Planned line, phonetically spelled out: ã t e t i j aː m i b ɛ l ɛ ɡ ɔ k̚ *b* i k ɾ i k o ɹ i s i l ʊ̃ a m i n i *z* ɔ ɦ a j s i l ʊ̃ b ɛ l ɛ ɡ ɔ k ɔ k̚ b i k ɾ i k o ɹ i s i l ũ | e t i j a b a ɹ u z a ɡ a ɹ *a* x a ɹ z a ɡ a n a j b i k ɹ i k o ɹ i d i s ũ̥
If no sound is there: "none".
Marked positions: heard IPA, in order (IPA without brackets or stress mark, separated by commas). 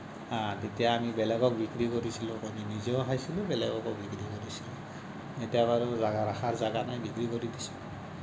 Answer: b, z, a